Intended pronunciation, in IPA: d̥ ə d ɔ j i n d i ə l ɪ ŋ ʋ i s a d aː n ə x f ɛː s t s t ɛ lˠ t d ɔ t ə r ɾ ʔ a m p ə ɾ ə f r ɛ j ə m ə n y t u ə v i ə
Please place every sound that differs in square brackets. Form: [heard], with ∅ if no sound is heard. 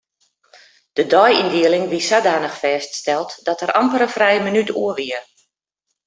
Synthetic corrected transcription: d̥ ə d ɔ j i n d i ə l ɪ ŋ ʋ i s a d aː n ə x f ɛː s t s t ɛ lˠ t d ɔ t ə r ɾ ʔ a m p ə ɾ ə f r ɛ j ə m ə n y t u ə [ʋ] i ə